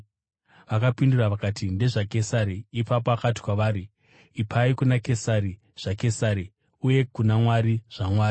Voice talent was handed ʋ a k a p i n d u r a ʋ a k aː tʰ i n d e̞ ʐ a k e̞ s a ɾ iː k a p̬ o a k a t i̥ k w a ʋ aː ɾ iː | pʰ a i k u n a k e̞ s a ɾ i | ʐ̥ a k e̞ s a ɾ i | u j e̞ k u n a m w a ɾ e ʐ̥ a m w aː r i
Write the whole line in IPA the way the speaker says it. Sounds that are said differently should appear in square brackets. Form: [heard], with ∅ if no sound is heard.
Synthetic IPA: ʋ a k a p i n d u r a ʋ a k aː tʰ i n d e̞ ʐ a k e̞ s a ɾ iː [p] a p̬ o a k a t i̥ k w a ʋ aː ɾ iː | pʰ a i k u n a k e̞ s a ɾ i | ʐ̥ a k e̞ s a ɾ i | u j e̞ k u n a m w a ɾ [i] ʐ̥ a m w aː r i